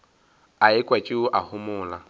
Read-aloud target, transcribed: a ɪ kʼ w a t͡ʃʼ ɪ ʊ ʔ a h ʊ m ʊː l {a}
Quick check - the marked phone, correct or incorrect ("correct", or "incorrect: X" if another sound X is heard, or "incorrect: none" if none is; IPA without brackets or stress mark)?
correct